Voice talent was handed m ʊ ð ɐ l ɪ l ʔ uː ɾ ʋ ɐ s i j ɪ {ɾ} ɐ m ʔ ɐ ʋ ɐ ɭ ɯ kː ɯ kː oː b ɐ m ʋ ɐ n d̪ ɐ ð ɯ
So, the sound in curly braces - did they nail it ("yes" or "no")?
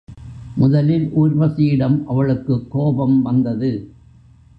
no